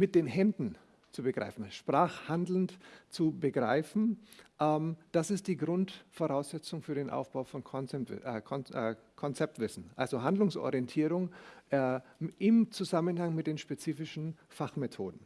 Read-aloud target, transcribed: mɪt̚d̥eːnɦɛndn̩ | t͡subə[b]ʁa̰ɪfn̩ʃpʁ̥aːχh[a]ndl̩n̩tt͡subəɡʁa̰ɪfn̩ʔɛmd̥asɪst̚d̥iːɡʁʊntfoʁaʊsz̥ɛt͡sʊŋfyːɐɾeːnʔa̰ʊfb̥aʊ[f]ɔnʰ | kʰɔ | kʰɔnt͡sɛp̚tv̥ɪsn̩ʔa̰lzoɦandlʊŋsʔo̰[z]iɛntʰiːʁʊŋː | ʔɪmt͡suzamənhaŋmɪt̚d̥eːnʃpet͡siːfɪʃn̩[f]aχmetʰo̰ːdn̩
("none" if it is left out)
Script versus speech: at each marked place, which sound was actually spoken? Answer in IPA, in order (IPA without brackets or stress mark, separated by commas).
ɡ, a, f, ʁ, f